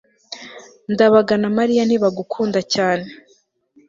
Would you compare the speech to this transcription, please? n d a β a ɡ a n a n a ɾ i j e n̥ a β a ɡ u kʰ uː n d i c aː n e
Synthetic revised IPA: n d a β a ɡ a n a m a ɾ i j a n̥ i β a ɡ u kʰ uː n d a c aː n e